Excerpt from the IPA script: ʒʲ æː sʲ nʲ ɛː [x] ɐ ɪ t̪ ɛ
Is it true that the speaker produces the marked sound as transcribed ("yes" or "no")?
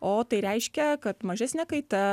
no